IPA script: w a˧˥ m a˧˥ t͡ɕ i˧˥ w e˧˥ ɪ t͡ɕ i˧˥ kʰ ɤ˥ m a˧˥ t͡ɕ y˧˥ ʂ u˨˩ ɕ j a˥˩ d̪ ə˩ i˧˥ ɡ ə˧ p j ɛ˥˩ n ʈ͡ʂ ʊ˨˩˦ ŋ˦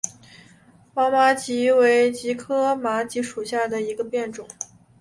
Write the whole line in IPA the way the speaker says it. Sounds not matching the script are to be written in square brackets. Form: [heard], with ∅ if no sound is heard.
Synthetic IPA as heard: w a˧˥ m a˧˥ t͡ɕ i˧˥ w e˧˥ ɪ t͡ɕ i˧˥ kʰ ɤ˥ m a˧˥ t͡ɕ [i˧˥] ʂ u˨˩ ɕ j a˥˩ d̪ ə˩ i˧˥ ɡ ə˧ p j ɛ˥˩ n ʈ͡ʂ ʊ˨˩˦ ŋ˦